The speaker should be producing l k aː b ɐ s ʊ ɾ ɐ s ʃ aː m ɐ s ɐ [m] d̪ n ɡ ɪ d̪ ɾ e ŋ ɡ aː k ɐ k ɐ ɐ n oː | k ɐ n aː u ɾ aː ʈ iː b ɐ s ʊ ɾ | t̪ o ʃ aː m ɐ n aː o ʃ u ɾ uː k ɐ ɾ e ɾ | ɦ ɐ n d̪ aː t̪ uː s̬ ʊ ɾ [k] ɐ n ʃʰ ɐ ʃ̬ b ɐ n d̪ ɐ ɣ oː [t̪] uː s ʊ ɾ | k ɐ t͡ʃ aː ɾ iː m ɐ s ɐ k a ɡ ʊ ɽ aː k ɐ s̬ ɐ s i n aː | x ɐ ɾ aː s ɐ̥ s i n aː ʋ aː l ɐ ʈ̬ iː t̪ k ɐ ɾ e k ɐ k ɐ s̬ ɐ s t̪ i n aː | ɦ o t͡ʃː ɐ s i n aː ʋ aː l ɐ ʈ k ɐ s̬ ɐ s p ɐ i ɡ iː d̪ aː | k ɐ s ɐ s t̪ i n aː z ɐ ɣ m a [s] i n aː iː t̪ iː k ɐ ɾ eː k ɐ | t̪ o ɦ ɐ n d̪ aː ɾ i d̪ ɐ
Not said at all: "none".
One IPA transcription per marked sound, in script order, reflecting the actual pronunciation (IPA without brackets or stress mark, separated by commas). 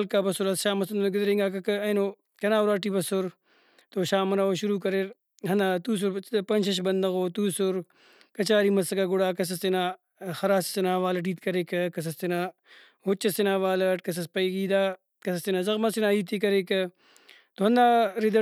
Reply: n, p, t̪, s